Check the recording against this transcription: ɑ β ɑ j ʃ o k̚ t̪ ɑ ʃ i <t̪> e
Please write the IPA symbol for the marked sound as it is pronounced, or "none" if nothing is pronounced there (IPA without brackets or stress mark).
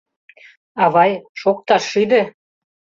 d̪